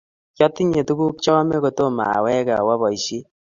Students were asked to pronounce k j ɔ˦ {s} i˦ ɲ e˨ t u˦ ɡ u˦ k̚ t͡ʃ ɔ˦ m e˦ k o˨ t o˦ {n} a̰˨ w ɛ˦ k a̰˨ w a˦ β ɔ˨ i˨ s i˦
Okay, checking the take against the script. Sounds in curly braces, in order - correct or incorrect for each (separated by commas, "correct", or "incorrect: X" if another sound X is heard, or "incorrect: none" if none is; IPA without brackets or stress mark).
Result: incorrect: t, incorrect: m